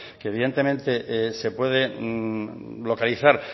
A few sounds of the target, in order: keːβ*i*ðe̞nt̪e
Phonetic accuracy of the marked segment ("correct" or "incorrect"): correct